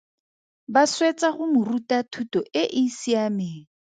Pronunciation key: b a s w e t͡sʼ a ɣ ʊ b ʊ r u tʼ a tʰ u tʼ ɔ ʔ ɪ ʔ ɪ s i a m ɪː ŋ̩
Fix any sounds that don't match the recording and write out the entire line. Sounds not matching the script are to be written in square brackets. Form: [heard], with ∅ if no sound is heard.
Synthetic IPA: b a s w e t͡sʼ a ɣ ʊ [m] ʊ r u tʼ a tʰ u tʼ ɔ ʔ ɪ ʔ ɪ s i a m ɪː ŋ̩